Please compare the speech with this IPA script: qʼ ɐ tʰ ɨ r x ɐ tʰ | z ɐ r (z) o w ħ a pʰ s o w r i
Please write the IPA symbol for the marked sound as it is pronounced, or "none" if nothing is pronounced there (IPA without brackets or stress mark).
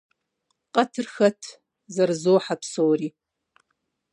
z